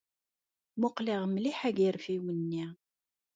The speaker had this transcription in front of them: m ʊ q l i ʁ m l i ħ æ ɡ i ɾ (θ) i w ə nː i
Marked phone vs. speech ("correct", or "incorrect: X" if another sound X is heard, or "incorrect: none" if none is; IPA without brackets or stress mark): incorrect: f